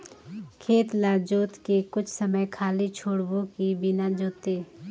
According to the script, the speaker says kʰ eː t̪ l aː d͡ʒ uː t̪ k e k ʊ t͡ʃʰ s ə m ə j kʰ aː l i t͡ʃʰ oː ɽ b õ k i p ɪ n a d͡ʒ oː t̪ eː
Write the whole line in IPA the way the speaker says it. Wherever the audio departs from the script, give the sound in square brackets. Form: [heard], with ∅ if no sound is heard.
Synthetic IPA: kʰ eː t̪ l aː d͡ʒ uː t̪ k e k ʊ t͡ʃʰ s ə m ə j kʰ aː l i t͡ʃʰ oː ɽ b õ k i [b] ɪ n a d͡ʒ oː t̪ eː